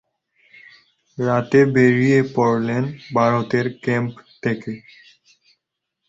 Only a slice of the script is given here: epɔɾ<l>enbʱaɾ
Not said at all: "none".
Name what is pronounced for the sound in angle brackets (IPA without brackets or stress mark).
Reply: l